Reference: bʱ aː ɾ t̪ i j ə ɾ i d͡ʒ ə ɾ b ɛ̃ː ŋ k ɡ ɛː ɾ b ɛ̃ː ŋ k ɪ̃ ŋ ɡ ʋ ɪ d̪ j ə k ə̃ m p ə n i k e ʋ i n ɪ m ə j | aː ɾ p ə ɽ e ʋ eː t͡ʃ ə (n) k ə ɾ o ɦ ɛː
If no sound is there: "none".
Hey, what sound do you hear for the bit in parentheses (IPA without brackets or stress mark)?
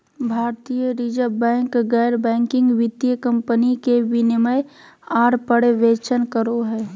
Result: n